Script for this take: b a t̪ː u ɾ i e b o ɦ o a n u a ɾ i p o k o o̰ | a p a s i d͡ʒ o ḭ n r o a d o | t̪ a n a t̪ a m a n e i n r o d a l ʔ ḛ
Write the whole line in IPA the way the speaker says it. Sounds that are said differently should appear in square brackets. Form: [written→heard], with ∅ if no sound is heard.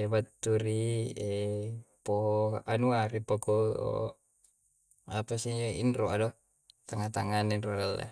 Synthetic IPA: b a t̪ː u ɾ i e [b→p] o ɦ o a n u a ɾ i p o k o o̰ | a p a s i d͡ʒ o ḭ n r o a d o | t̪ a [n→ŋ] a t̪ a [m→ŋ] a n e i n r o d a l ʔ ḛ